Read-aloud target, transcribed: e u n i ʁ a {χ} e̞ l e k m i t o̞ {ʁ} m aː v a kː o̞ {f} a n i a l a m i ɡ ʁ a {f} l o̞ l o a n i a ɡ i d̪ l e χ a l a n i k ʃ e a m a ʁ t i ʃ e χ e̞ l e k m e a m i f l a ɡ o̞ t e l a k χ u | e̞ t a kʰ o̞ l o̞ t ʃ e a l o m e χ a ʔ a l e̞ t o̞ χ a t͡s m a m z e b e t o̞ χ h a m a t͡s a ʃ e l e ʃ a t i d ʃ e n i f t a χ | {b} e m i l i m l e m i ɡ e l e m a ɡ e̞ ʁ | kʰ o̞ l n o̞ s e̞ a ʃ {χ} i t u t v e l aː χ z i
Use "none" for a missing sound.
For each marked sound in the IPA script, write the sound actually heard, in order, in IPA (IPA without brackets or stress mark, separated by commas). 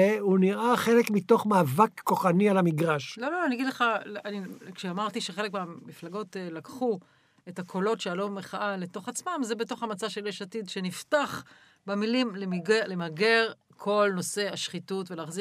χ, χ, χ, ʃ, b, χ